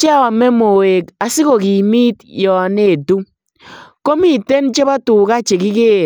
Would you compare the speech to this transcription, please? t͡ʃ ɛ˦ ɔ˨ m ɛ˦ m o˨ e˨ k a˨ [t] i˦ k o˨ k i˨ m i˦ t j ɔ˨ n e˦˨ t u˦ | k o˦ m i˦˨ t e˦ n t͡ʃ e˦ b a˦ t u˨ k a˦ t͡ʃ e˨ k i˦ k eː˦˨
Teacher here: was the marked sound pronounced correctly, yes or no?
no